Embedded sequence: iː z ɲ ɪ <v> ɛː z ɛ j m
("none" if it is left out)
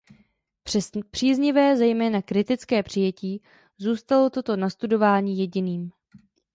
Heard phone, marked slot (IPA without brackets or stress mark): v